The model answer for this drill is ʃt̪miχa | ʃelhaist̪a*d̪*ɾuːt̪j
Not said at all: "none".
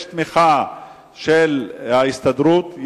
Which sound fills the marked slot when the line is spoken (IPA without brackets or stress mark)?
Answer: d̪